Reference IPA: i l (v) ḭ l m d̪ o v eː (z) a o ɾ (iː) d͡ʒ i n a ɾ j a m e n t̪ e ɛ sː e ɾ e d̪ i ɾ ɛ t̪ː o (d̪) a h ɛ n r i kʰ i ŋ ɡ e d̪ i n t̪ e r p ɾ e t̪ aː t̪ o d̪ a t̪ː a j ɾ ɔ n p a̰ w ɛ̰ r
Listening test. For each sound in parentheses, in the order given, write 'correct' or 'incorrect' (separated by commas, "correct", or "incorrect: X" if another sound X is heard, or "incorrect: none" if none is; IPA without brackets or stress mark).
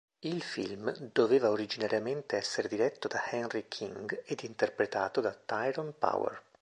incorrect: f, incorrect: v, incorrect: i, correct